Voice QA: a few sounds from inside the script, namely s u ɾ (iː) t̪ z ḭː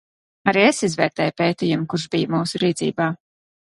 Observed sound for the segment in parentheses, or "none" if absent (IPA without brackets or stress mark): iː